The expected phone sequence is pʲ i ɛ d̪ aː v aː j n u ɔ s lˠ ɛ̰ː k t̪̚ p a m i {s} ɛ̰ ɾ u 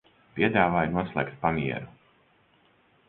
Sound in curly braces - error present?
yes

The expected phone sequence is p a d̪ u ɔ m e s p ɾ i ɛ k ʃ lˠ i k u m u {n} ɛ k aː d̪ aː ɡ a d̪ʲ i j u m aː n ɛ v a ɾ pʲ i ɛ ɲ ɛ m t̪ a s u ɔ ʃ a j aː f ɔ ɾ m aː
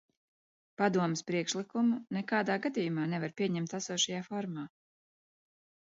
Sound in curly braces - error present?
no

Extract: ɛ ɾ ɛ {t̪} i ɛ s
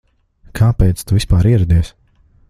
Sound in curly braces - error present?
yes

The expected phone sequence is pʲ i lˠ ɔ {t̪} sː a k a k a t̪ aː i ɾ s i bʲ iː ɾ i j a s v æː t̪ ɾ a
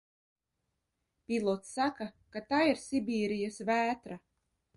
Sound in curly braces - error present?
no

